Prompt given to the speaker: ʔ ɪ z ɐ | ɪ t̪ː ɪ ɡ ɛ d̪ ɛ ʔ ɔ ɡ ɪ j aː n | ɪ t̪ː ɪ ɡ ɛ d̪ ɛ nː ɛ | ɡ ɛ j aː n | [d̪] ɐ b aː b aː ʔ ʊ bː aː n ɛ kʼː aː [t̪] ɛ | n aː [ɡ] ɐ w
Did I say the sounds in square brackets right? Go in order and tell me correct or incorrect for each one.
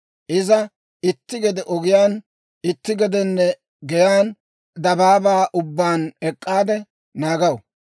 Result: correct, incorrect: d̪, correct

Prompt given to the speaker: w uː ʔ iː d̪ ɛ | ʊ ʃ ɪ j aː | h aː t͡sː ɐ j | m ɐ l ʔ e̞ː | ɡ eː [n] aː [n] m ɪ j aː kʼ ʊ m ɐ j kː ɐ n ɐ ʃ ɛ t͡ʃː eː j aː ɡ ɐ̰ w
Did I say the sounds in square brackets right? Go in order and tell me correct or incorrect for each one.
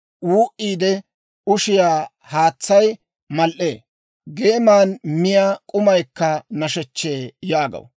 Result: incorrect: m, correct

